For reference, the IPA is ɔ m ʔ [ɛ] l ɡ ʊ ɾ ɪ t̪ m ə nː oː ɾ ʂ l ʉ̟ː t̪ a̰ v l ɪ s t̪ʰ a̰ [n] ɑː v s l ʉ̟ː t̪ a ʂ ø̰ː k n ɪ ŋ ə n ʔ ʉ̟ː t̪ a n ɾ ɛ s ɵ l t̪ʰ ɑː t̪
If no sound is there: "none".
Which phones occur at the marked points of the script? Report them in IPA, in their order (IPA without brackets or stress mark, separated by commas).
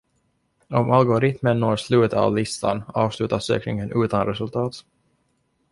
a, n